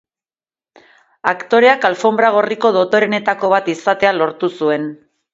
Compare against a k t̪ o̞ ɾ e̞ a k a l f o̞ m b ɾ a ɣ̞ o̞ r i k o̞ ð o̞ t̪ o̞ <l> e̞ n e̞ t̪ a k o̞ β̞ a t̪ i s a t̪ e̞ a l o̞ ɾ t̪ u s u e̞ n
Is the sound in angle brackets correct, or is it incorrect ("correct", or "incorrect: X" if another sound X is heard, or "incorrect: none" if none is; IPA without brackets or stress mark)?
incorrect: ɾ